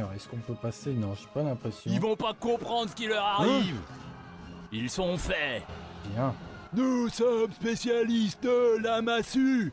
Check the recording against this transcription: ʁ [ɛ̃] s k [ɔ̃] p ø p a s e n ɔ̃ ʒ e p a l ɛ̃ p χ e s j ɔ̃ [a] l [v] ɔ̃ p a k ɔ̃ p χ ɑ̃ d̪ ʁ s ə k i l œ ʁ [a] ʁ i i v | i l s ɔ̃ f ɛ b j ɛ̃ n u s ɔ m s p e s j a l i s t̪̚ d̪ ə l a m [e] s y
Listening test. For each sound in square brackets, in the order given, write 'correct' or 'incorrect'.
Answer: incorrect: ɛ, correct, incorrect: i, correct, correct, incorrect: a

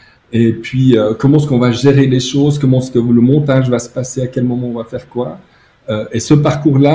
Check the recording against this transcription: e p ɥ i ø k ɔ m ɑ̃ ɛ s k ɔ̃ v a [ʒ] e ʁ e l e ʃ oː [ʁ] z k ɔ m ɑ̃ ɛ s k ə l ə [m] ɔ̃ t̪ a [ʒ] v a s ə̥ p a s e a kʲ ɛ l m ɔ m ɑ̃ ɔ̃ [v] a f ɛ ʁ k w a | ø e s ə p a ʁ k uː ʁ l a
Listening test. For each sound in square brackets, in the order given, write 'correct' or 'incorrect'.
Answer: correct, incorrect: none, correct, correct, correct

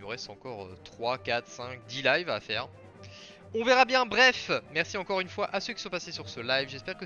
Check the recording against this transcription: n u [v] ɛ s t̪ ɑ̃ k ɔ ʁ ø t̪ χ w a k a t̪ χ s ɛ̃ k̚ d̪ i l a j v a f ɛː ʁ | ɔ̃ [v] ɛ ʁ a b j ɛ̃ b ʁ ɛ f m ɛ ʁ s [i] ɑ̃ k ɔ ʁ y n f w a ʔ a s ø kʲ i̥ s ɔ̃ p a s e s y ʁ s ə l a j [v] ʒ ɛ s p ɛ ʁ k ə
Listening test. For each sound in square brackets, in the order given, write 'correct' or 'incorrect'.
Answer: incorrect: ʁ, correct, correct, correct

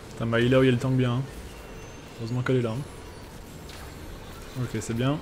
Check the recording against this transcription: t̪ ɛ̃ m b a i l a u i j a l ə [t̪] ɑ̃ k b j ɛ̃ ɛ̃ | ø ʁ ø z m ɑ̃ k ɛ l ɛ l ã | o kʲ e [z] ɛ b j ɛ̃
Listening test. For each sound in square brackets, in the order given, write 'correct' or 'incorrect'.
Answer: correct, incorrect: s

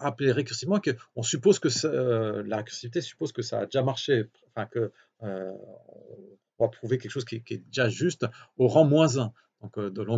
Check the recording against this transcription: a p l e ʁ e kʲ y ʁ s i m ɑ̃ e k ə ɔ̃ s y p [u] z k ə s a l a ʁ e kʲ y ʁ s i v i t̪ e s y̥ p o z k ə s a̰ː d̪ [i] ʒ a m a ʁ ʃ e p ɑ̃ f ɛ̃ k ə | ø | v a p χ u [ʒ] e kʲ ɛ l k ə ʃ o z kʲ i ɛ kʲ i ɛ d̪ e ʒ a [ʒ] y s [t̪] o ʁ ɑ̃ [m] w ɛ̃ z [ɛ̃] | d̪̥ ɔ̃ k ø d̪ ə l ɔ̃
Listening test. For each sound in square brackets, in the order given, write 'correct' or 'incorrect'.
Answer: incorrect: o, incorrect: e, incorrect: v, correct, correct, correct, correct

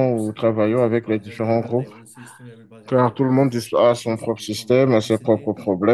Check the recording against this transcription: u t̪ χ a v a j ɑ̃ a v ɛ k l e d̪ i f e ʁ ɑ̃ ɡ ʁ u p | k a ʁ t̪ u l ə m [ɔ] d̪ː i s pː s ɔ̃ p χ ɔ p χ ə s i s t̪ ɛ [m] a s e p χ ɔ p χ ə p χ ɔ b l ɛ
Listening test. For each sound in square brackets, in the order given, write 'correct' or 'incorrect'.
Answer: incorrect: ɔ̃, correct

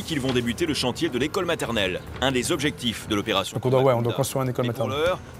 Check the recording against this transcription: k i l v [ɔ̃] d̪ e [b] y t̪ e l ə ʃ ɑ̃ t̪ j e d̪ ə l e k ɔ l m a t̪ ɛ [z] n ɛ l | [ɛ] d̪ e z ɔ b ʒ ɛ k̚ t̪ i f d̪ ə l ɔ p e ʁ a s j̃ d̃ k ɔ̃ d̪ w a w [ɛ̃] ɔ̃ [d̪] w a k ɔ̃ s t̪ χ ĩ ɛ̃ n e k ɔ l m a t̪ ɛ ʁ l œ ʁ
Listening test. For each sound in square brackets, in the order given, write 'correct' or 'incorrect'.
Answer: correct, correct, incorrect: ʁ, incorrect: ɛ̃, incorrect: ɛ, correct

